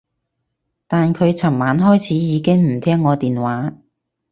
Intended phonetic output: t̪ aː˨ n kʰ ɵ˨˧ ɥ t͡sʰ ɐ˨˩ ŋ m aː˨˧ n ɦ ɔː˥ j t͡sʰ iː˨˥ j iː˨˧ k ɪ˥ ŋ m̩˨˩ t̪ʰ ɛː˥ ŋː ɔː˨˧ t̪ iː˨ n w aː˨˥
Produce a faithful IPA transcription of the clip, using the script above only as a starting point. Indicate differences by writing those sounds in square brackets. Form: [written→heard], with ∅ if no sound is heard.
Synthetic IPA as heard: t̪ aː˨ n kʰ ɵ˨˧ ɥ t͡sʰ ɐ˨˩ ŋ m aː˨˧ n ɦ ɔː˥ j t͡sʰ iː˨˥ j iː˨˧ k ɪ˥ ŋ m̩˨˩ t̪ʰ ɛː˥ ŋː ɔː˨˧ t̪ iː˨ n w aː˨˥